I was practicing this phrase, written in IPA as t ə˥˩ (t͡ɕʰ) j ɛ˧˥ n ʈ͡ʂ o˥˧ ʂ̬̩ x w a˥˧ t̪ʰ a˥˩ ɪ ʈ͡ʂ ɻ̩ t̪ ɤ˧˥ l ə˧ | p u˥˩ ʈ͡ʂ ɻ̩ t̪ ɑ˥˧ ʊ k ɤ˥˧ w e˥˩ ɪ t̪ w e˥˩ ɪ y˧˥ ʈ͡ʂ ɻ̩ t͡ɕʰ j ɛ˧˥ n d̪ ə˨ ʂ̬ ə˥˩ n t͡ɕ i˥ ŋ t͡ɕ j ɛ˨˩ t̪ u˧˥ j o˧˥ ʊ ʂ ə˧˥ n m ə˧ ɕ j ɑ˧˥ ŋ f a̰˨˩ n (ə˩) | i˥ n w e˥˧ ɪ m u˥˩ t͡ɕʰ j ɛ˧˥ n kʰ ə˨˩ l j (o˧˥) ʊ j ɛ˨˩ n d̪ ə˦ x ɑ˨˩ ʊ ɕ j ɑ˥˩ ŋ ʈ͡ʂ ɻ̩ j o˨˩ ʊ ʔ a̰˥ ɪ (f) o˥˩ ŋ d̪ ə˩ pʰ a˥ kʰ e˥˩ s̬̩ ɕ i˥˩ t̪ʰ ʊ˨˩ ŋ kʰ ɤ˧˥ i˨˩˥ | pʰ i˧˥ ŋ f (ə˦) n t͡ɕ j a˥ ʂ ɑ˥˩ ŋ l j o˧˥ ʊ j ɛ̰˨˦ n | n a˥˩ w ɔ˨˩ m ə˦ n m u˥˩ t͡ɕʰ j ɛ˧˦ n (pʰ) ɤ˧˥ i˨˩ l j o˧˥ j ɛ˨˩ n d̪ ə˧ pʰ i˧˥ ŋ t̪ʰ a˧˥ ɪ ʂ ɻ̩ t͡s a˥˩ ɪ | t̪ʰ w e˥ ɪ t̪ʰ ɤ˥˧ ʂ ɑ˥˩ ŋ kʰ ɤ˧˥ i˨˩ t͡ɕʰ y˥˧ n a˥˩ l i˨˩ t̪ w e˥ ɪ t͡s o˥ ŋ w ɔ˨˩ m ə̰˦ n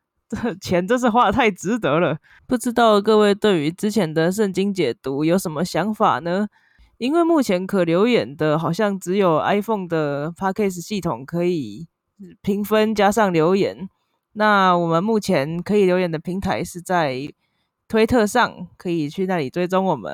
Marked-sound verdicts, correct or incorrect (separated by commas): correct, incorrect, correct, correct, correct, incorrect